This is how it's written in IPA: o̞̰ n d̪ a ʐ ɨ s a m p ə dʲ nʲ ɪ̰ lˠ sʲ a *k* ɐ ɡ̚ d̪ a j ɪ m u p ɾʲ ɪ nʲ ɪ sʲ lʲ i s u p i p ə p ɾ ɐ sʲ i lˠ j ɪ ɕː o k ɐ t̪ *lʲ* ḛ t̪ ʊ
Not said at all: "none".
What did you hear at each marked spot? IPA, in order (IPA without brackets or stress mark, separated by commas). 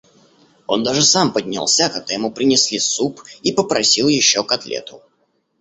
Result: k, lʲ